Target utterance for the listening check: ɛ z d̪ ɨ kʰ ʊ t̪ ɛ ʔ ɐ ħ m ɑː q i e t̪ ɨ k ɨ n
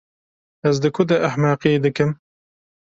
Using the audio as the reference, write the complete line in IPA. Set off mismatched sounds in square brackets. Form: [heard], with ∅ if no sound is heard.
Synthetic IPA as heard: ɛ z d̪ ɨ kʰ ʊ [d̪] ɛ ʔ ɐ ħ m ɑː q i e [d̪] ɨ k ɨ [m]